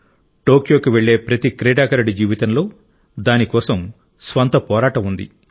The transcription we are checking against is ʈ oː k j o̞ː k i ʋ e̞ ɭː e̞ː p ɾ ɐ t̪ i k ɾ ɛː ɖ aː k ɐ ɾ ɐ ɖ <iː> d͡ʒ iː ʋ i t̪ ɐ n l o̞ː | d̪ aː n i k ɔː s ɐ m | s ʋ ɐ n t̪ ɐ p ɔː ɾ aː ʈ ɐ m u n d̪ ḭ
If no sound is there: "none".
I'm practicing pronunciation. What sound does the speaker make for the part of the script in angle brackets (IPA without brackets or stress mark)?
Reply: i